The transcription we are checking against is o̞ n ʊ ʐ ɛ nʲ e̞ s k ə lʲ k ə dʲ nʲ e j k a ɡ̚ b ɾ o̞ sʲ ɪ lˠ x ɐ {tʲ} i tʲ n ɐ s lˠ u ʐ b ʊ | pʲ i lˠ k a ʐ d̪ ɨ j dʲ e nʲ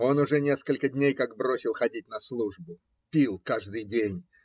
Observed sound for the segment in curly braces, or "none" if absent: dʲ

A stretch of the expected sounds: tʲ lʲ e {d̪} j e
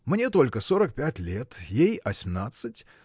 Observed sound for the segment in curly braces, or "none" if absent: t̪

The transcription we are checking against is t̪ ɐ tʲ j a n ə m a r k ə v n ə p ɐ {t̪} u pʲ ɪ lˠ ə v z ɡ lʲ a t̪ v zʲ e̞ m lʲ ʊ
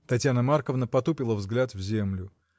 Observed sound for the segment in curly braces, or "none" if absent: t̪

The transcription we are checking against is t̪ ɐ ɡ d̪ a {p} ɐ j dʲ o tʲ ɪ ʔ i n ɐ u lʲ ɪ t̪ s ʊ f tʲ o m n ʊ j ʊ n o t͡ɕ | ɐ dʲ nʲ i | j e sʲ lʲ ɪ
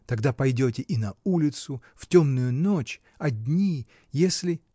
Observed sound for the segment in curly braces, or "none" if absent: p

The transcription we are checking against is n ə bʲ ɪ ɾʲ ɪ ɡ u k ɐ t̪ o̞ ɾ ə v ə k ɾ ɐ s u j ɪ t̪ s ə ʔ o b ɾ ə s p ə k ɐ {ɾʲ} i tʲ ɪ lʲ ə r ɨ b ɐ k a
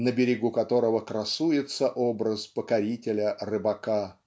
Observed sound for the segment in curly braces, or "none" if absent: ɾʲ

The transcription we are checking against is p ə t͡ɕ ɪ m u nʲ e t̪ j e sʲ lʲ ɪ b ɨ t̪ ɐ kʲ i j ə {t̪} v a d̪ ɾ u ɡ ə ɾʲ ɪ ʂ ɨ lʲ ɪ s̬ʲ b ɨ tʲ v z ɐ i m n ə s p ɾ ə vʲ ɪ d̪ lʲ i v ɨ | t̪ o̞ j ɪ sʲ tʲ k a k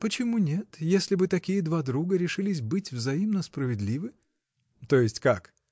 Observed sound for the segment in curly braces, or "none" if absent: d̪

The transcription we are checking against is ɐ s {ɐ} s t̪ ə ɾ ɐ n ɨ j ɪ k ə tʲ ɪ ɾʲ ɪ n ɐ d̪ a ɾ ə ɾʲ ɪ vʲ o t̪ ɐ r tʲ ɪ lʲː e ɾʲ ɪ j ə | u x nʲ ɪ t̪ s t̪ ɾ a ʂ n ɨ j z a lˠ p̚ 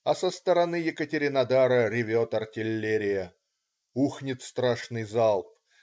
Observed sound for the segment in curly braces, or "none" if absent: ə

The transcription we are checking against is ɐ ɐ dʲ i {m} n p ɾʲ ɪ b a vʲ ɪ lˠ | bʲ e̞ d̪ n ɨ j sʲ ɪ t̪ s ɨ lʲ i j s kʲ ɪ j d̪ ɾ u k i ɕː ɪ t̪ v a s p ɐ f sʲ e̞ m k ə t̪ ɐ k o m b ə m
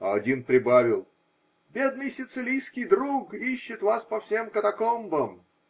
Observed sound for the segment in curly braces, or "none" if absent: none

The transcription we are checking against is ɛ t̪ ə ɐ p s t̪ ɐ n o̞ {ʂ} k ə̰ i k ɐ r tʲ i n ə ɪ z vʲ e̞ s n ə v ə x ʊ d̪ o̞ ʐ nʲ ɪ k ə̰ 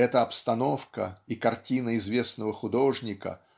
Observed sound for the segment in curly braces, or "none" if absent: f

